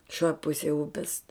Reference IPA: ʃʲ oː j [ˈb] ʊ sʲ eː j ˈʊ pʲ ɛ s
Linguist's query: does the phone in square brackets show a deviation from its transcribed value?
yes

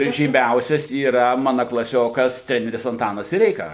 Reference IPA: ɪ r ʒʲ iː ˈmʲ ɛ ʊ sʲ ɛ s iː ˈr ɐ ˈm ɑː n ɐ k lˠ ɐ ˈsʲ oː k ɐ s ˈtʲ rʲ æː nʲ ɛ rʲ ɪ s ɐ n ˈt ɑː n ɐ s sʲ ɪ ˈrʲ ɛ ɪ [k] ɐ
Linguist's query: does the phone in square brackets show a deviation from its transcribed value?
no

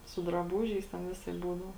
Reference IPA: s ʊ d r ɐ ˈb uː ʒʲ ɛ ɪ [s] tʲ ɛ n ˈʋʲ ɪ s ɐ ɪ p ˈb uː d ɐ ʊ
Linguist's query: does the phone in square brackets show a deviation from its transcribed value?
no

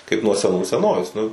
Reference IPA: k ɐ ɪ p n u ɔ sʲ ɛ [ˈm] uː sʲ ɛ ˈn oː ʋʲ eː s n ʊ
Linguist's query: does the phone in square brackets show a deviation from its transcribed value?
yes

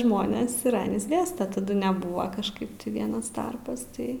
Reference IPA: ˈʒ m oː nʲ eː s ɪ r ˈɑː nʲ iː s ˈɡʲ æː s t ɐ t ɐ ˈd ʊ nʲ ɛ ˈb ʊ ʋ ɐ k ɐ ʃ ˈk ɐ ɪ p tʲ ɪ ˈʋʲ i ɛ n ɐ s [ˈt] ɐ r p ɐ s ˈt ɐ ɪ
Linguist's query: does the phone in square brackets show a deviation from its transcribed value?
no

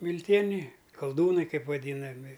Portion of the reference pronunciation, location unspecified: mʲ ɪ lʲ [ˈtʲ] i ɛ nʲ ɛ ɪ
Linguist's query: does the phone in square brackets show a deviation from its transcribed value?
no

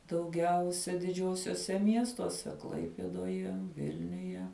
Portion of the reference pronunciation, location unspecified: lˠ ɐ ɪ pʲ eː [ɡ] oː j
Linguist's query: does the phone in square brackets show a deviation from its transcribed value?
yes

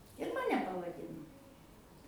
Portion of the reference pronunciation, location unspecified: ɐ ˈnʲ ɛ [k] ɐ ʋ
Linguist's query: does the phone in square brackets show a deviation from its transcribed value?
yes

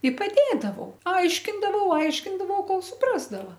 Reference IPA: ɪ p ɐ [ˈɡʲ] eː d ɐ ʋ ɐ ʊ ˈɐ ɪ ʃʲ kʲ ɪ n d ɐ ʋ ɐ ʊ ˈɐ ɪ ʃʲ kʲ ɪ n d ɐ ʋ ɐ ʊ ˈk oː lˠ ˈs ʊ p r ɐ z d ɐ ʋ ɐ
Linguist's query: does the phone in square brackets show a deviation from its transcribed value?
yes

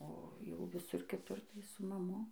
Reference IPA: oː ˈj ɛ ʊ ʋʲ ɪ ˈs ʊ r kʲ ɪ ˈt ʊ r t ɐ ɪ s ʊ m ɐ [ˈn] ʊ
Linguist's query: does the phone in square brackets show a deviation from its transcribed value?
yes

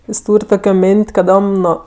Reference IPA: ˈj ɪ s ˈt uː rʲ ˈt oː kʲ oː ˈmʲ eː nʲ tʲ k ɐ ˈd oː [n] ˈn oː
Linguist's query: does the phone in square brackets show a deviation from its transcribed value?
yes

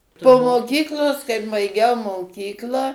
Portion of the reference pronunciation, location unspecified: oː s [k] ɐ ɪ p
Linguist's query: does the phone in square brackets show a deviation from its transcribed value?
no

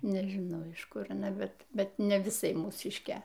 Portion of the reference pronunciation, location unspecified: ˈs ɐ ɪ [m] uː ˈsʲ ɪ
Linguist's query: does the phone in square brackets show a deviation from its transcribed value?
no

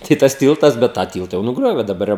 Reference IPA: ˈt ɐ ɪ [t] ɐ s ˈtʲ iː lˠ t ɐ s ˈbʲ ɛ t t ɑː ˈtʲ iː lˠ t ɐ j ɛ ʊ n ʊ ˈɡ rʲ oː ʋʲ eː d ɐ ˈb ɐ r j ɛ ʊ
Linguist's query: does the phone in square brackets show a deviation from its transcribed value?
no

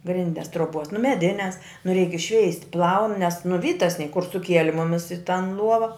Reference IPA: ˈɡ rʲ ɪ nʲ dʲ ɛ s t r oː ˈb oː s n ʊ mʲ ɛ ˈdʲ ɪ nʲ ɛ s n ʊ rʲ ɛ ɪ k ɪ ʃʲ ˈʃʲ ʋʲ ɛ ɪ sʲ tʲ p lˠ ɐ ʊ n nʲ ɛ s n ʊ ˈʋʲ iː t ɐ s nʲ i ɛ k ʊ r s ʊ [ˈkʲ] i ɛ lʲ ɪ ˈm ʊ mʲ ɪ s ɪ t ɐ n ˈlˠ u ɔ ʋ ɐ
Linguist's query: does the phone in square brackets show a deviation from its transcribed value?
no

